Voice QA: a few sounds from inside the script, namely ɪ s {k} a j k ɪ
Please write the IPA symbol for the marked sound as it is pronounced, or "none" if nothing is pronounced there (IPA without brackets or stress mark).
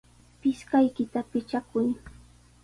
k